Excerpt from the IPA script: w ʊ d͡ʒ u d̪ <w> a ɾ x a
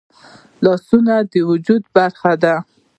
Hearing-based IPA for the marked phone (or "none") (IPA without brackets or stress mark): b